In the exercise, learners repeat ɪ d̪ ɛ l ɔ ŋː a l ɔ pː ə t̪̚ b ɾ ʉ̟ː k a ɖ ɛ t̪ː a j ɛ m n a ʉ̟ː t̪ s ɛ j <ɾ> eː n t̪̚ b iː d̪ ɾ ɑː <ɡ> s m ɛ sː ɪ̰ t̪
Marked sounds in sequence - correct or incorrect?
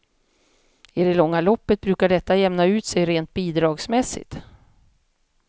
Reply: correct, correct

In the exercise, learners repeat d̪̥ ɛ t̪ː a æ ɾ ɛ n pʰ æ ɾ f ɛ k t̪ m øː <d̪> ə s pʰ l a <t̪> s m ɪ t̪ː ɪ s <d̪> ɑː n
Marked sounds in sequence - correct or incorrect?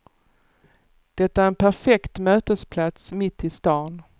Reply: incorrect, correct, incorrect

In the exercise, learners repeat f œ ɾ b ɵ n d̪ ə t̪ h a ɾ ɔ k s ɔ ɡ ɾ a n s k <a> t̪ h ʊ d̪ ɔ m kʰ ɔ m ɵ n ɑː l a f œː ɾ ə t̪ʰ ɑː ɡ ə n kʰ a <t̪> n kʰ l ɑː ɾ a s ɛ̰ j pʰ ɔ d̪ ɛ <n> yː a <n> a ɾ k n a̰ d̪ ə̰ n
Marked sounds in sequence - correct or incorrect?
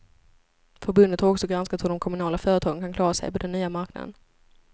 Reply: correct, incorrect, incorrect, incorrect

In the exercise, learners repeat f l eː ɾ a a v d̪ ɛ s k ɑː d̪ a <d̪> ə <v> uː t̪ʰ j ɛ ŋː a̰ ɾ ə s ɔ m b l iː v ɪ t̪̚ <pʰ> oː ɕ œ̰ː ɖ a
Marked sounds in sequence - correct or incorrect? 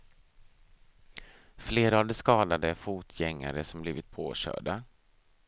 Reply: correct, incorrect, correct

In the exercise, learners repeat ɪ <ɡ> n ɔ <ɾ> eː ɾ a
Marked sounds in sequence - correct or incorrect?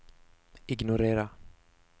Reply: correct, correct

